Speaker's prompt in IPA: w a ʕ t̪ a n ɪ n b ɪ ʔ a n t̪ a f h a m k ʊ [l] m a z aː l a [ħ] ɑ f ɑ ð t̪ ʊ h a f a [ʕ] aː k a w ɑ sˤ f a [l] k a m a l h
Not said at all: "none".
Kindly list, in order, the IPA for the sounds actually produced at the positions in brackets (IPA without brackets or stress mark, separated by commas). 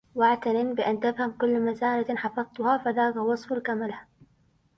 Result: lː, ħ, ð, l